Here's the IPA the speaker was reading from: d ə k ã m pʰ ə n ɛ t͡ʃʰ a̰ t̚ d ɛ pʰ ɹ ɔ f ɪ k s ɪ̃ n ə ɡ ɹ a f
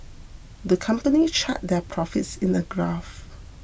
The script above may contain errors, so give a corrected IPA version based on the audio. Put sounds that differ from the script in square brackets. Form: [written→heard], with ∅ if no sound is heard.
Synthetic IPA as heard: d ə [k→kʰ] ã m [pʰ→p] ə n [ɛ→i] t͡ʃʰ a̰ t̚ d ɛ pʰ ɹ ɔ f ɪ [k→t] s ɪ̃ n ə ɡ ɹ a f